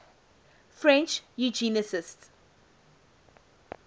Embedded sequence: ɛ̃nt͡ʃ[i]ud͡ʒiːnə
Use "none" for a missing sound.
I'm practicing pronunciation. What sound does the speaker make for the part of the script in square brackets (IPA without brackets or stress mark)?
j